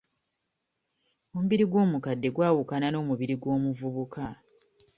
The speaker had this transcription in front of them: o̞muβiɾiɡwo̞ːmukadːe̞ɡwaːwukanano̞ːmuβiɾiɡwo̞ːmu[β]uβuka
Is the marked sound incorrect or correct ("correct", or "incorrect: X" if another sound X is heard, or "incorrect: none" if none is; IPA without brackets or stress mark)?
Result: incorrect: v